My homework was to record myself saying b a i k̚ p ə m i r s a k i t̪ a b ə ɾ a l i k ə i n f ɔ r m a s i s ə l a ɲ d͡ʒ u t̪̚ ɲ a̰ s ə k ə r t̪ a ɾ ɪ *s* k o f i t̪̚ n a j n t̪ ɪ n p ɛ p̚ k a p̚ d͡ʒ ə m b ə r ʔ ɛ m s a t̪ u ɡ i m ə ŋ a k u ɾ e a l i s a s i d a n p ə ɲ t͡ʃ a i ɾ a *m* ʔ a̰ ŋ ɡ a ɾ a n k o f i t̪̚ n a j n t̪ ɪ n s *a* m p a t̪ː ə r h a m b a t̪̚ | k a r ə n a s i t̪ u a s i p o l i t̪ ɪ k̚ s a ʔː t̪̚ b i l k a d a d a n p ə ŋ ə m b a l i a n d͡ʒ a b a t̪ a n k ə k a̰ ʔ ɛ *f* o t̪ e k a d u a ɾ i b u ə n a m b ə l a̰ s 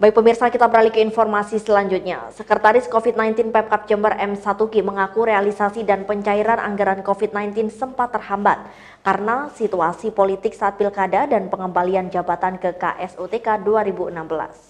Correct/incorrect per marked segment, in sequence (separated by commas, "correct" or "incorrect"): correct, incorrect, incorrect, incorrect